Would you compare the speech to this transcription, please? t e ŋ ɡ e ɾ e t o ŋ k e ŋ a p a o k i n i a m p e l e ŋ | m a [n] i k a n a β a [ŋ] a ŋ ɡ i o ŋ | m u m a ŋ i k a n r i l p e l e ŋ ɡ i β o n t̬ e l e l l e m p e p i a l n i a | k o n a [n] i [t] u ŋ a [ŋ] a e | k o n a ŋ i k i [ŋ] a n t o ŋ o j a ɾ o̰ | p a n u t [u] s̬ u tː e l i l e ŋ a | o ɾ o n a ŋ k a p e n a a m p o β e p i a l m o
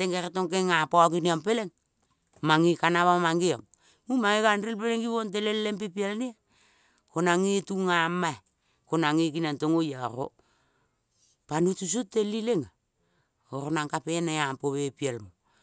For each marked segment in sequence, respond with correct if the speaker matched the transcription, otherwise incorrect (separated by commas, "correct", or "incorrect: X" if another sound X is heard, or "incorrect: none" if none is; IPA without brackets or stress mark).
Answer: incorrect: ŋ, incorrect: m, incorrect: ŋ, correct, incorrect: m, incorrect: n, correct